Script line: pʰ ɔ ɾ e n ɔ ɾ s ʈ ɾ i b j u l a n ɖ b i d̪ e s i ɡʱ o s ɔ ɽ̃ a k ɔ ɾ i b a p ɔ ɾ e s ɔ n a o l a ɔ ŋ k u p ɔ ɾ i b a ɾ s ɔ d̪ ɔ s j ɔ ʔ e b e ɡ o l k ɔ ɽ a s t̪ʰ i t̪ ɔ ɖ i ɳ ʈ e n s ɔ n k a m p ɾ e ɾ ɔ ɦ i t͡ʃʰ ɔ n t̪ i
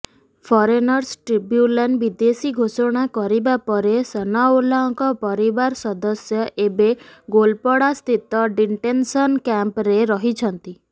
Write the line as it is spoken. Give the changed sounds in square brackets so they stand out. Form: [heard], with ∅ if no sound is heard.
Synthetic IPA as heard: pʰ ɔ ɾ e n ɔ ɾ s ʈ ɾ i b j u l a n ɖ b i d̪ e s i ɡʱ o s ɔ ɽ̃ a k ɔ ɾ i b a p ɔ ɾ e s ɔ n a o l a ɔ ŋ k [ɔ] p ɔ ɾ i b a ɾ s ɔ d̪ ɔ s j ɔ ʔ e b e ɡ o l [p] ɔ ɽ a s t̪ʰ i t̪ ɔ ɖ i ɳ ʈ e n s ɔ n k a m p ɾ e ɾ ɔ ɦ i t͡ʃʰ ɔ n t̪ i